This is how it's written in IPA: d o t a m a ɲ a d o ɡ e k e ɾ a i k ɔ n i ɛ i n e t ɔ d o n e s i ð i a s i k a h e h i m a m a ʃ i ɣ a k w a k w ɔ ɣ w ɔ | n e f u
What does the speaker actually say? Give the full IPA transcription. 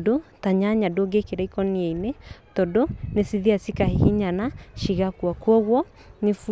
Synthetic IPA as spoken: d o t a ɲ a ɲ a d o ɡ e k e ɾ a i k ɔ n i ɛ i n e t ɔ d o n e s i ð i a s i k a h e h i ɲ a n a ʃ i ɣ a k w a k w ɔ ɣ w ɔ | n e f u